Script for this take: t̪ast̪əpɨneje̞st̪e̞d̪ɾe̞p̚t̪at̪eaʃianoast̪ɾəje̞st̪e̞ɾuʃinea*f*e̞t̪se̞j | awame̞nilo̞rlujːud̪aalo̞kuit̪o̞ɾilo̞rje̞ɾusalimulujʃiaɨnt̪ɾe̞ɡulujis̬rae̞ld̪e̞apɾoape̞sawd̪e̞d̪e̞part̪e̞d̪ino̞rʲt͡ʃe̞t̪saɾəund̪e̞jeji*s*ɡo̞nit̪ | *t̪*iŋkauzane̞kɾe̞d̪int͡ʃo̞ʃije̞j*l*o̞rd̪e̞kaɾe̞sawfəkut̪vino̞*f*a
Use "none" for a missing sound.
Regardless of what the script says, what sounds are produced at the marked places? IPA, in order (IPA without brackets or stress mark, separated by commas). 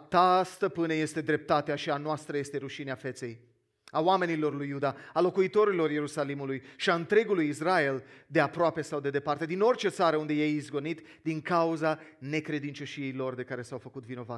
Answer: f, z, d̪, l, v